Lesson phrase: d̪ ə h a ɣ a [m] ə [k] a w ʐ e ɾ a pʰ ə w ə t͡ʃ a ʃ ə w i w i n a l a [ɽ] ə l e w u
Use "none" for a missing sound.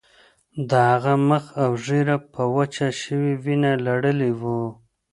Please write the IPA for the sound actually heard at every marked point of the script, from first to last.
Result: m, x, ɽ

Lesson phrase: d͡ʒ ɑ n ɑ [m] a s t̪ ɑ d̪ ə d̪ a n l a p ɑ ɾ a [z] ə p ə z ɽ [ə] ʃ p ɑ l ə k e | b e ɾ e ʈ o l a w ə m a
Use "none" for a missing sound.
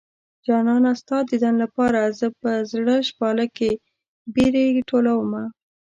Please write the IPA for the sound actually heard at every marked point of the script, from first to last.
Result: n, z, ə

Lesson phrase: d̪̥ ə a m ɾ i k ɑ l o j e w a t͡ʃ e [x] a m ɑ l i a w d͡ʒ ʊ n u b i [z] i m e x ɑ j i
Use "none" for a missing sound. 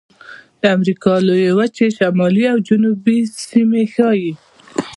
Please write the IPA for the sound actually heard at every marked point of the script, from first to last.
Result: ʃ, s

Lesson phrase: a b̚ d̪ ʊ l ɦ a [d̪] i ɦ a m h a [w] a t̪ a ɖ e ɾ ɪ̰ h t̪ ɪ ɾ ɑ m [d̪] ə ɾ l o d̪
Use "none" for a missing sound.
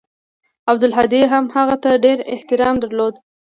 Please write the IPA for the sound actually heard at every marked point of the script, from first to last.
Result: d̪, ɣ, d̪

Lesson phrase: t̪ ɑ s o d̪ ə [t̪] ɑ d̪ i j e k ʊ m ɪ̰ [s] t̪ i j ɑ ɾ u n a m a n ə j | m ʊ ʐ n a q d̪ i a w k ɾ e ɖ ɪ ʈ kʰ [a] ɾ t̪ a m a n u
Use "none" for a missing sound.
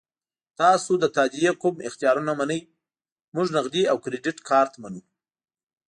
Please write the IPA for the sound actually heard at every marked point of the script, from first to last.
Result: t̪, x, ɑ

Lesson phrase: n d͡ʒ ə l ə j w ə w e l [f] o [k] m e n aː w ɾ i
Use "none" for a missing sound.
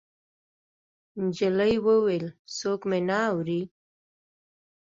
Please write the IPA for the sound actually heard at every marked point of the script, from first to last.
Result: s, k

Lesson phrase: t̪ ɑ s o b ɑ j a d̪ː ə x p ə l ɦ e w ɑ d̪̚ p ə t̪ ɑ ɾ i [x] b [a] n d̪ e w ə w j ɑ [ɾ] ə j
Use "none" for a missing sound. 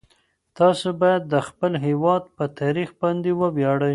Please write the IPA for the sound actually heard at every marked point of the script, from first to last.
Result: x, ɑ, ɽ

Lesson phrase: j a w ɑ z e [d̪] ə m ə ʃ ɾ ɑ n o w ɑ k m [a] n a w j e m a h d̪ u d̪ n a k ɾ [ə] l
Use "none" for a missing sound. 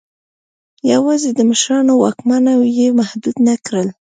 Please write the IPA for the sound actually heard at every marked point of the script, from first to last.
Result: d̪, a, ə

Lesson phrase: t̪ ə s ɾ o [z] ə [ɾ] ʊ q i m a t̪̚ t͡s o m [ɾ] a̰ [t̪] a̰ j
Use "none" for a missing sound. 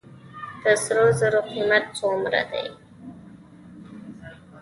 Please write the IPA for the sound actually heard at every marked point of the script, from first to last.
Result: z, ɾ, ɾ, d̪

